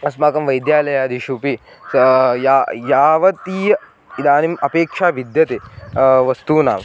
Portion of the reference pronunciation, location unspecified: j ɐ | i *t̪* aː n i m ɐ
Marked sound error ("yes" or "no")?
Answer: yes